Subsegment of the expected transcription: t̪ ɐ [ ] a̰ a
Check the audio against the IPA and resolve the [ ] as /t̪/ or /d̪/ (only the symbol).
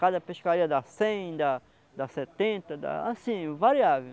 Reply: d̪